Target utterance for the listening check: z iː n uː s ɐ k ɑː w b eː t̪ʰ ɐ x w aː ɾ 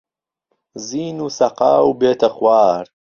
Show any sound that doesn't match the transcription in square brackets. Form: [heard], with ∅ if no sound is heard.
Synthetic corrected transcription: z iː n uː s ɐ [q] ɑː w b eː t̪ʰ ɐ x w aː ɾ